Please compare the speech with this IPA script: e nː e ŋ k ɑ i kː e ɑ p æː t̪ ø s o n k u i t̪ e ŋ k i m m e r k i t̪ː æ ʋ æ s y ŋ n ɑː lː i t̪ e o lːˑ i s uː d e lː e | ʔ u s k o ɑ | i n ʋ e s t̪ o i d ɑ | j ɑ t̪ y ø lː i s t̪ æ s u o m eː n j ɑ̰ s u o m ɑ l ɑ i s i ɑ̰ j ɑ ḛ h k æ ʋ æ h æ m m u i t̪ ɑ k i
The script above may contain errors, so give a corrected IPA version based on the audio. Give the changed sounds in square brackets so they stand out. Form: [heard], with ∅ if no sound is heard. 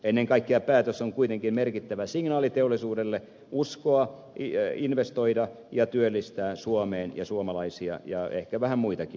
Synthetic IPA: e nː e ŋ k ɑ i kː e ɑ p æː t̪ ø s o [ŋ] k u i t̪ e ŋ k i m m e r k i t̪ː æ ʋ æ s [i] ŋ n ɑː [l] i t̪ e o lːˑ i s uː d e lː e | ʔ u s k o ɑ | i n ʋ e s t̪ o i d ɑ | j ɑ t̪ y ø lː i s t̪ [æː] s u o m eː n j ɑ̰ s u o m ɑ l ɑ i s i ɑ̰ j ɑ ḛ h k æ ʋ æ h æ m m u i t̪ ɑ k i